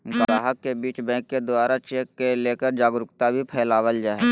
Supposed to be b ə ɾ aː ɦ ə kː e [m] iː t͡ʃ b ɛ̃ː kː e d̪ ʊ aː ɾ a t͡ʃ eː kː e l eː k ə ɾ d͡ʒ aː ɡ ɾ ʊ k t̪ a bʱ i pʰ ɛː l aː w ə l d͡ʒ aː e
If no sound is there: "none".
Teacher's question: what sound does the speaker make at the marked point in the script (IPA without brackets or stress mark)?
b